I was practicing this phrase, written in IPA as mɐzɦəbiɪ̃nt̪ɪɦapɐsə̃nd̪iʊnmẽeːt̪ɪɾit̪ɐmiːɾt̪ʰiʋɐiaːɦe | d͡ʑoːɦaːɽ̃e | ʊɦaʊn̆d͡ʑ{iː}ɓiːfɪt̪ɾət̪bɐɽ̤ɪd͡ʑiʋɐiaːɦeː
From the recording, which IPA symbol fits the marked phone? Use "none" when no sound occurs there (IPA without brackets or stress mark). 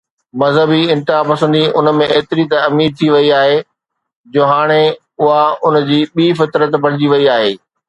iː